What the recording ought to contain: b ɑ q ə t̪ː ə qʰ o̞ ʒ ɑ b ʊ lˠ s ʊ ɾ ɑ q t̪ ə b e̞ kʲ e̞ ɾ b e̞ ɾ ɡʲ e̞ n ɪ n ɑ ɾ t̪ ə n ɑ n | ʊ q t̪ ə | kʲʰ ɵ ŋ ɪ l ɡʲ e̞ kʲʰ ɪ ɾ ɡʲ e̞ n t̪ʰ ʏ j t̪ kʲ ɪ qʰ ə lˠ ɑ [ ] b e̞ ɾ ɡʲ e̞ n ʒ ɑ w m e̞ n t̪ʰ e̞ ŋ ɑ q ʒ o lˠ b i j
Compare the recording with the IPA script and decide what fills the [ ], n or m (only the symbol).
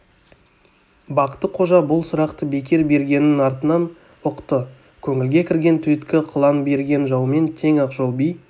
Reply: n